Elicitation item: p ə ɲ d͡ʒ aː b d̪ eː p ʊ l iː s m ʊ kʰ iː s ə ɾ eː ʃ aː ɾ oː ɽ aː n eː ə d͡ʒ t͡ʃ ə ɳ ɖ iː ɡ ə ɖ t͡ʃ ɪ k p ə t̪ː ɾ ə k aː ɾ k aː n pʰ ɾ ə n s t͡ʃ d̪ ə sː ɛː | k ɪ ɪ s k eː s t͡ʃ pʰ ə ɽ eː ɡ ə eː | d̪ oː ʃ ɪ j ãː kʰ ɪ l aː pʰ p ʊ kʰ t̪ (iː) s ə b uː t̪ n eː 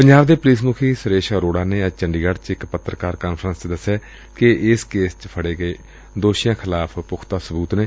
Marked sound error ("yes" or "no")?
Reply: yes